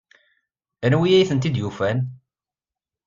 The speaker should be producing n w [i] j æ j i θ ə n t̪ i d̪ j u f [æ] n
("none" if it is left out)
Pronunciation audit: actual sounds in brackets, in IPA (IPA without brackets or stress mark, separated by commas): i, æ